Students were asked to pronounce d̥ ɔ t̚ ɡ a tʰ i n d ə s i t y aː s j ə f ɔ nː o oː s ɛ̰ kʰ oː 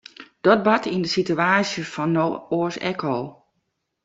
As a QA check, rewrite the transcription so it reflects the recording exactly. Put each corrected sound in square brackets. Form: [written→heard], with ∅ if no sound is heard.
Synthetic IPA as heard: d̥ ɔ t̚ [ɡ→b] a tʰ i n d ə s i t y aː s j ə f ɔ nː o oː s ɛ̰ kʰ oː

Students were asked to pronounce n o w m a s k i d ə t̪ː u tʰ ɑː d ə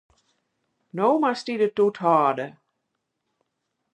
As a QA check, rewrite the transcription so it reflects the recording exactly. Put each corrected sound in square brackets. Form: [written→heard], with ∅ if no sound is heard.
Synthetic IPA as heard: n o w m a s [k→t] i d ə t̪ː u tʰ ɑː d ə

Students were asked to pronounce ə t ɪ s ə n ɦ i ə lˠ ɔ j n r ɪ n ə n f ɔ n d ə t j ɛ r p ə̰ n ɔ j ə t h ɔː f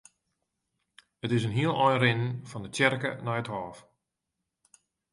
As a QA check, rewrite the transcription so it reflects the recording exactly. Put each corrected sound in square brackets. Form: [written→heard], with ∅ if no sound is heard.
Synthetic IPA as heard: ə t ɪ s ə n ɦ i ə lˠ ɔ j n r ɪ n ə n f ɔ n d ə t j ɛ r [p→k] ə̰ n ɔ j ə t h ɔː f

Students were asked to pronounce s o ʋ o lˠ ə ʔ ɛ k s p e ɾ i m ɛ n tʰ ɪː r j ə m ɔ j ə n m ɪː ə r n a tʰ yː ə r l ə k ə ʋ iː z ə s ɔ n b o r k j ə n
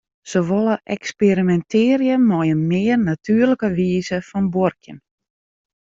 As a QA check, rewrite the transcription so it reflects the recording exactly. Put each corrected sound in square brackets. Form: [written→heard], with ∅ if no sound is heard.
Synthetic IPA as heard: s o ʋ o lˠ ə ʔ ɛ k s p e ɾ i m ɛ n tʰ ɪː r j ə m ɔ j ə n m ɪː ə r n a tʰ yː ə r l ə k ə ʋ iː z ə [s→f] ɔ n b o r k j ə n

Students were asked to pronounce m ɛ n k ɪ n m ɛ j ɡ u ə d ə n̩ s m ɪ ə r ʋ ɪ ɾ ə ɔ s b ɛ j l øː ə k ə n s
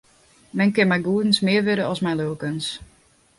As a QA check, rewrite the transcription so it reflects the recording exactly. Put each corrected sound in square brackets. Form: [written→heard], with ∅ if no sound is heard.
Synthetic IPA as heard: m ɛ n k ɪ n m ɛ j ɡ u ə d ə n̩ s m ɪ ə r ʋ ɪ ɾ ə ɔ s [b→m] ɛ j l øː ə k ə n s

